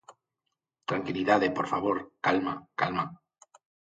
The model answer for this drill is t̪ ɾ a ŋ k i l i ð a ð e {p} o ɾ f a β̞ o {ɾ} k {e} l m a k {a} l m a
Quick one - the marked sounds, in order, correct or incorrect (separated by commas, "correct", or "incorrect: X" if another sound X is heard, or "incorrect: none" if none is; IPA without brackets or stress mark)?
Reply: correct, correct, incorrect: a, correct